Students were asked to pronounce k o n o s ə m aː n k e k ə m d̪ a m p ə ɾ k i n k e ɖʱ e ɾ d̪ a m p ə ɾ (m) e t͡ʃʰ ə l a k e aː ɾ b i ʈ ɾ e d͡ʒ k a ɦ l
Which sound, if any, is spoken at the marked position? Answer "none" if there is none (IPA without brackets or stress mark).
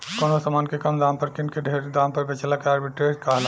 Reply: b